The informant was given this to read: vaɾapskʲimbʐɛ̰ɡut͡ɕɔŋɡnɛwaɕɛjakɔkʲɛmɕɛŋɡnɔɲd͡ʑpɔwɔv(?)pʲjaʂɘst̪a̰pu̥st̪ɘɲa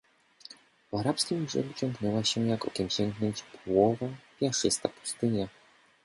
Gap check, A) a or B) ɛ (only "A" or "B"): A